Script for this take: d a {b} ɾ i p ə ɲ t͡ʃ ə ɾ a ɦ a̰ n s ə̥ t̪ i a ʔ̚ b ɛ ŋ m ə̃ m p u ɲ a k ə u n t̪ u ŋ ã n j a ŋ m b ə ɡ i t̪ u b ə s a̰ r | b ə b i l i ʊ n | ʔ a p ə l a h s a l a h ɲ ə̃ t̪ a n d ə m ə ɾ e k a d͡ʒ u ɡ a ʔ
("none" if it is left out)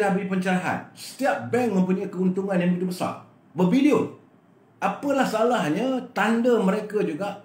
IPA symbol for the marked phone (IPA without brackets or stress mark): b